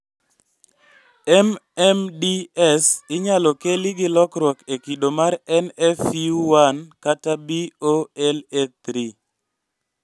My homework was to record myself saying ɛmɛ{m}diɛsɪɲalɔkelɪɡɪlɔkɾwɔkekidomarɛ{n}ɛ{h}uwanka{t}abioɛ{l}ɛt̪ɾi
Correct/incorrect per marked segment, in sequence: correct, correct, incorrect: f, correct, correct

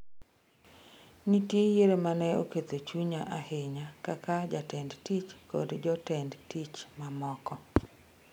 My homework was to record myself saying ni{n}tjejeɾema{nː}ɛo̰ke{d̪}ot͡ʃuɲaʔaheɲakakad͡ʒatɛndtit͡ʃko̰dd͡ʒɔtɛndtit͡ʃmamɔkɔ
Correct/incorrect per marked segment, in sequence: incorrect: none, incorrect: n, incorrect: t̪

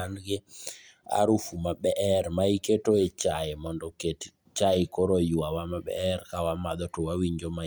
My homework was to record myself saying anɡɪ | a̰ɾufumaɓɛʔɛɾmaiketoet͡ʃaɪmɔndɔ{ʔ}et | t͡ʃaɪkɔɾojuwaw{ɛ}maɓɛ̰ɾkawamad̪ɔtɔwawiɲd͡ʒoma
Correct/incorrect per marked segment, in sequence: incorrect: k, incorrect: a

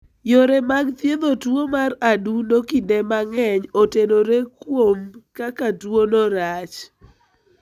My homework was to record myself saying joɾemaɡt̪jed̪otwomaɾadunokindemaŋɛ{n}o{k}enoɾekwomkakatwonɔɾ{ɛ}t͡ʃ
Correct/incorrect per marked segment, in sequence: incorrect: ɲ, incorrect: t, incorrect: a

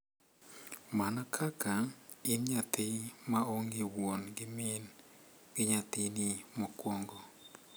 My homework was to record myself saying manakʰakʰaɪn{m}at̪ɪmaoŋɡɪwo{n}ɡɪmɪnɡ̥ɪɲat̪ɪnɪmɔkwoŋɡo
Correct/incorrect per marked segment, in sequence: incorrect: ɲ, correct

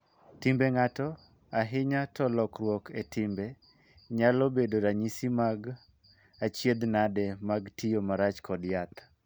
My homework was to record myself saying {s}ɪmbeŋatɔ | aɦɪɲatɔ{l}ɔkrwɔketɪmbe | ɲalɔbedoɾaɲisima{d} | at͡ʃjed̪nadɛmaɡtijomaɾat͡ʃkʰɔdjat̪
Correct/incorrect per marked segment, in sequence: incorrect: t, correct, incorrect: ɡ

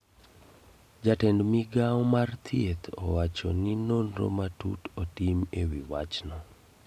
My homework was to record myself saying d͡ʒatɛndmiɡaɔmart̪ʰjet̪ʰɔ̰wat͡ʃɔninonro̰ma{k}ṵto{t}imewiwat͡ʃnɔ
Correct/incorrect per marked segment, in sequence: incorrect: t, correct

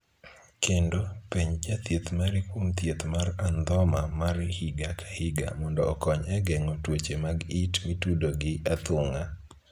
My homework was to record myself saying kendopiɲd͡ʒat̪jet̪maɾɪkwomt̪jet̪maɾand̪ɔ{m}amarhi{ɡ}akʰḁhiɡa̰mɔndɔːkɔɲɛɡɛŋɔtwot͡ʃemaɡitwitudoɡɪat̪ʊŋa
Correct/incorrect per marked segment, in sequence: correct, correct

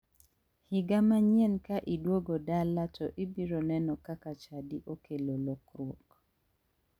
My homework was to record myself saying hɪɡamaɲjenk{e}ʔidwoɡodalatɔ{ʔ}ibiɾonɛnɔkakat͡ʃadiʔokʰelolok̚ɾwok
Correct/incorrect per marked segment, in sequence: incorrect: a, correct

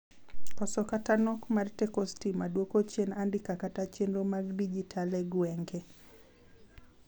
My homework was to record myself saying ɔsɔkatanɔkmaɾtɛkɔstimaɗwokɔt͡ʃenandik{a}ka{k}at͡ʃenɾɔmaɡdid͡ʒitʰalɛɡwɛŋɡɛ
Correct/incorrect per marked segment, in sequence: correct, incorrect: t

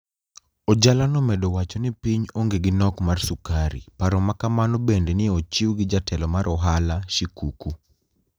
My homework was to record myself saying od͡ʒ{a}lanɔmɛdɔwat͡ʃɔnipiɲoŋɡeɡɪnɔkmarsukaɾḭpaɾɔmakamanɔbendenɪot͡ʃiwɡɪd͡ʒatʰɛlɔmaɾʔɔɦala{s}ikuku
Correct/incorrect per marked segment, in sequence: correct, incorrect: ʃ

